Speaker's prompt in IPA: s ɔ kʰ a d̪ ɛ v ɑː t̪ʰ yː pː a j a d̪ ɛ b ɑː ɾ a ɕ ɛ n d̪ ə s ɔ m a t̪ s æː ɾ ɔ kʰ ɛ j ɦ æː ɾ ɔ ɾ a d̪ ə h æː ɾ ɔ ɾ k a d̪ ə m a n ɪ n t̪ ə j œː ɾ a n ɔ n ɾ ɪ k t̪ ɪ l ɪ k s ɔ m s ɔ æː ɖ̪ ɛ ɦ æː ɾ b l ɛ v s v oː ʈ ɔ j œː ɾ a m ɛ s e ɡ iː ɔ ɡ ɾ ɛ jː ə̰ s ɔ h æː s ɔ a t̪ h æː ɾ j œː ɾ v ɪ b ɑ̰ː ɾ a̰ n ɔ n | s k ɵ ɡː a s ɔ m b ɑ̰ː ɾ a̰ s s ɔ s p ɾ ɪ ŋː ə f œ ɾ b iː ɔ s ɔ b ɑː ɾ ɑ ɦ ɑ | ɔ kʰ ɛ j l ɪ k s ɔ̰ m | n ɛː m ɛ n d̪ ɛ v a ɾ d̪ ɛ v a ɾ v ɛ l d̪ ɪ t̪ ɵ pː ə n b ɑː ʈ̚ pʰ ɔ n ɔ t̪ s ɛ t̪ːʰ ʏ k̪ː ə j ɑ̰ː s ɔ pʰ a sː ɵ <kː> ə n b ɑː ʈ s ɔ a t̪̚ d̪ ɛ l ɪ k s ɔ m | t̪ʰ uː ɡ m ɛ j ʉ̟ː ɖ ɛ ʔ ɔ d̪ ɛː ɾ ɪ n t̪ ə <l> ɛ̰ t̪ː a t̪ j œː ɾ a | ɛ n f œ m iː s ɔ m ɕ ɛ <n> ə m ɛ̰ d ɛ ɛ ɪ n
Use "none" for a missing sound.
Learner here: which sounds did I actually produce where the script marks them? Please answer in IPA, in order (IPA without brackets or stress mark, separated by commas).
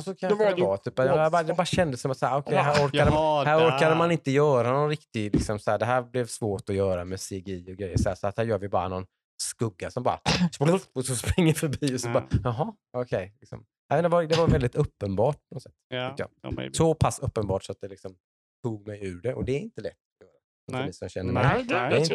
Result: pː, l, nː